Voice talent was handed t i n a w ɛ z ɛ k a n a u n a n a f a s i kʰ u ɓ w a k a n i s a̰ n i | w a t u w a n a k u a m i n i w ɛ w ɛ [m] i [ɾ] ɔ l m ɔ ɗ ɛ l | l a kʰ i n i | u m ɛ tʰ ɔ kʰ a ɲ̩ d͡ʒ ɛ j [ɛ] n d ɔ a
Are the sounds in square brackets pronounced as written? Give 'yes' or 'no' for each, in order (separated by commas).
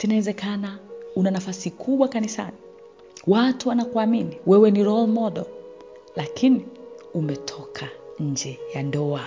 no, yes, no